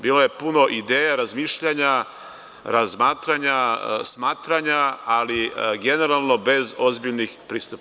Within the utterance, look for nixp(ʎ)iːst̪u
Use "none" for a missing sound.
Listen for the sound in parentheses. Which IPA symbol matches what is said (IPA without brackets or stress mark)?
ɾ